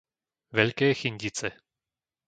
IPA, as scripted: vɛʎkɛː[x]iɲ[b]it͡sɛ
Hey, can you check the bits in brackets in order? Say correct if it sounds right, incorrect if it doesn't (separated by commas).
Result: correct, incorrect